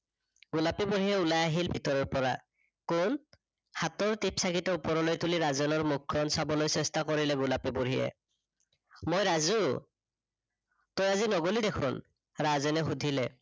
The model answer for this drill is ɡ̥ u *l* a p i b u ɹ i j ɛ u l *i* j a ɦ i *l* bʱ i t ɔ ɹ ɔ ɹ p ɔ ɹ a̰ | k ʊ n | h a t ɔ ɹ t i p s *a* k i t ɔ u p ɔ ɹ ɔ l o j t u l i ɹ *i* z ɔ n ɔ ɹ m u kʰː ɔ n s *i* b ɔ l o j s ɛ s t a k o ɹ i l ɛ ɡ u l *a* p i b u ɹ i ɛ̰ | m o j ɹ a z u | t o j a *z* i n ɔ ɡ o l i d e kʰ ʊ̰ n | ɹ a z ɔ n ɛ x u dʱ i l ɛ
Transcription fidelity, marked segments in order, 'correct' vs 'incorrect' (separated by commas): correct, incorrect, correct, correct, incorrect, incorrect, correct, correct